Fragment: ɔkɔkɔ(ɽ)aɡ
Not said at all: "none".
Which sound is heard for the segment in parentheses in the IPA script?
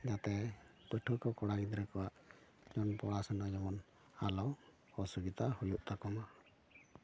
ɽ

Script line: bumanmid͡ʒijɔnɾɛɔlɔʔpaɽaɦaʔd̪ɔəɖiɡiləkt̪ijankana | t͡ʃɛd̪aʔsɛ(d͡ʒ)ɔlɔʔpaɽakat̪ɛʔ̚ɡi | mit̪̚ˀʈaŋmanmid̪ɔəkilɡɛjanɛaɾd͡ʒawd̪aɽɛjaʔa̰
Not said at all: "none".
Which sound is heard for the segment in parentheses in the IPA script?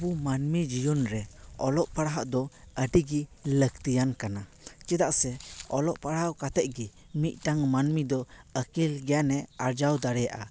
none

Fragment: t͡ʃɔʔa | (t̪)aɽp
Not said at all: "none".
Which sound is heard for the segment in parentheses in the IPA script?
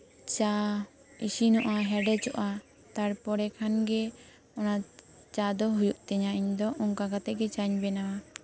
t̪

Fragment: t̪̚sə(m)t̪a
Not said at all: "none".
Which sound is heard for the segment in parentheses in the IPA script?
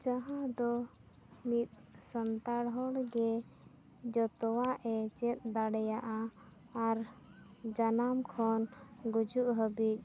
n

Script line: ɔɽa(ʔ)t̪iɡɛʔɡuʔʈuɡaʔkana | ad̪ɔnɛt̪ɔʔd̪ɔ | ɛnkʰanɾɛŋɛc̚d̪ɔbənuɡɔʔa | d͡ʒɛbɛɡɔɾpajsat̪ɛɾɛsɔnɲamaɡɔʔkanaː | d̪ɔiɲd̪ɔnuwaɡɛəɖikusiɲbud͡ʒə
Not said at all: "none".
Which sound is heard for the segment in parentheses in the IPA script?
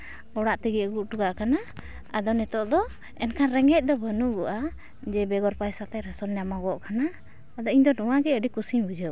ʔ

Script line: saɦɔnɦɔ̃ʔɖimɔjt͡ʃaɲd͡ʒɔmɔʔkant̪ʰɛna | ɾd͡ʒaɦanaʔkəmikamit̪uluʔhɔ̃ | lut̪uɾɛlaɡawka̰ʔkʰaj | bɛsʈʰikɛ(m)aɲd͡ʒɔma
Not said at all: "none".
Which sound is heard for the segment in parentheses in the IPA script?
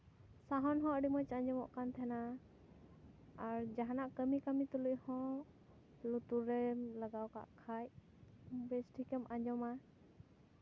m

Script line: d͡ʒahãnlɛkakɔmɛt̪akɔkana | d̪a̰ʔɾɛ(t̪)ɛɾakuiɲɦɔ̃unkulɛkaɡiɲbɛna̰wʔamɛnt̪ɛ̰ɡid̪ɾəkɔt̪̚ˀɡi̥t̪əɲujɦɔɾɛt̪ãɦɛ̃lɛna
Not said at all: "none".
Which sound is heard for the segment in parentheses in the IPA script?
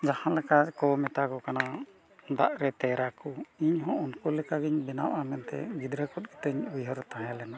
t̪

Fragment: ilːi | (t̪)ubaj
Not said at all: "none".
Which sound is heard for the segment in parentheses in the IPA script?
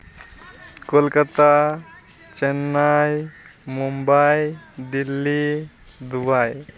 d̪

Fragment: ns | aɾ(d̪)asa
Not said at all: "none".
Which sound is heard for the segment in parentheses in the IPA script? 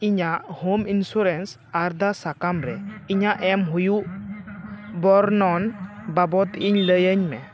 d̪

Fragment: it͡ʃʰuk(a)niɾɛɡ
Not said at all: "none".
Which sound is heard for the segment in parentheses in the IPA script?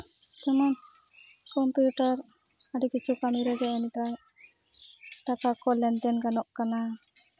a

